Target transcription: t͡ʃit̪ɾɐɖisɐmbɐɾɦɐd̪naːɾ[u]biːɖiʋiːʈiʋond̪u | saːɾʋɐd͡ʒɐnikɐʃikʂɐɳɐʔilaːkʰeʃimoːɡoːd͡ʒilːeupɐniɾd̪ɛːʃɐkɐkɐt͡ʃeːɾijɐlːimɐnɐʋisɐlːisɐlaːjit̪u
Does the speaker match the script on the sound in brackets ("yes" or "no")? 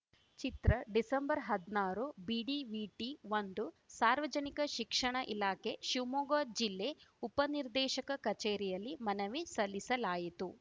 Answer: yes